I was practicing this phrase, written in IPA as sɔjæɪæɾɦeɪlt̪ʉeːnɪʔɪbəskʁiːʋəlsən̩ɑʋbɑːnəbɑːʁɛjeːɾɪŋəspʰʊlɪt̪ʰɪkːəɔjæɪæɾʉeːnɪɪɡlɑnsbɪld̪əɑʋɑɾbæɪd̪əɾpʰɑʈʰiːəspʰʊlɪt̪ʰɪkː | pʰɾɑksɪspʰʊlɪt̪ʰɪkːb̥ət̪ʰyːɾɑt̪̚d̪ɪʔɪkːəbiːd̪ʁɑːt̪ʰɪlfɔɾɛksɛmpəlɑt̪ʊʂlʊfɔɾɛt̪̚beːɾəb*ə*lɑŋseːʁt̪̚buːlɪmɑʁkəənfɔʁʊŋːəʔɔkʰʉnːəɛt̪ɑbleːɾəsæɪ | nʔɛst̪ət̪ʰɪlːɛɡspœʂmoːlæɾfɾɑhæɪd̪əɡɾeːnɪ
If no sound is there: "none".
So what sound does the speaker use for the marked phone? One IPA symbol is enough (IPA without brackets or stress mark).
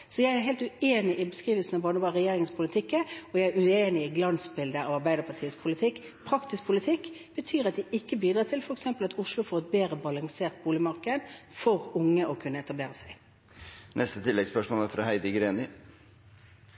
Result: ɑ